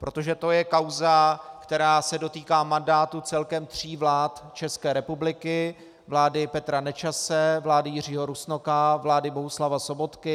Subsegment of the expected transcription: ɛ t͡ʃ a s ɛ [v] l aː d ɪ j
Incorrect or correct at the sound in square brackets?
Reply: correct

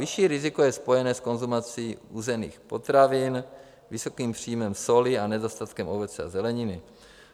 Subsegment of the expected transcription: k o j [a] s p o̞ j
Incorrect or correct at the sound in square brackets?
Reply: incorrect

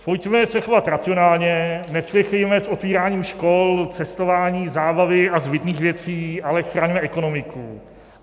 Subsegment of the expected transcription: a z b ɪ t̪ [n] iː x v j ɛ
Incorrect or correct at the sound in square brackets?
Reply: correct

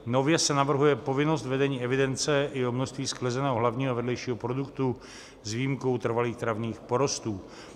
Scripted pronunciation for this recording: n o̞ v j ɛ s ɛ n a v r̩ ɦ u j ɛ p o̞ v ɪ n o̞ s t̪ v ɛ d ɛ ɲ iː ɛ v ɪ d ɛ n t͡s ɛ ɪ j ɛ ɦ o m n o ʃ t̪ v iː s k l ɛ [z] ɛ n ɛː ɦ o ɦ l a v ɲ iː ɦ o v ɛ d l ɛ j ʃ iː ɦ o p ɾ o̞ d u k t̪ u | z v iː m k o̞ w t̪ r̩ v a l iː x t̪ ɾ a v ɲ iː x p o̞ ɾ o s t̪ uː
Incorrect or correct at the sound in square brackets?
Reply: correct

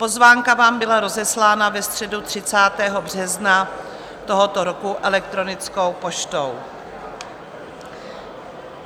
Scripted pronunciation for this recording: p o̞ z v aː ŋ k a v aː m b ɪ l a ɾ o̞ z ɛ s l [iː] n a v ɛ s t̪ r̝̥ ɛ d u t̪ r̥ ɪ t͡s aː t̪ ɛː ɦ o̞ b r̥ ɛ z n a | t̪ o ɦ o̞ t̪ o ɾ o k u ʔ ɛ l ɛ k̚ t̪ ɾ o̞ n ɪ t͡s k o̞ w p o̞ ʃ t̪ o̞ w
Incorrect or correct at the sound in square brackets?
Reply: incorrect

